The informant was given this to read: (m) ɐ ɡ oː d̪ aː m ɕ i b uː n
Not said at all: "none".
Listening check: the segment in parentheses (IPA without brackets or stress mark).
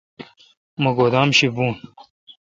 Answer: m